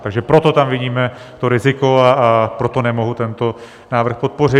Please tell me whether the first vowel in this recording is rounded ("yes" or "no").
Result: no